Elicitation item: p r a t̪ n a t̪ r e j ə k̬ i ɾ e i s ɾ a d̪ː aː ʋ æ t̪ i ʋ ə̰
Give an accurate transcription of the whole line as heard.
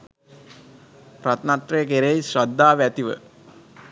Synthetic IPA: p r a t̪ n a t̪ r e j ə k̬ e ɾ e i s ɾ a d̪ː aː ʋ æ t̪ i ʋ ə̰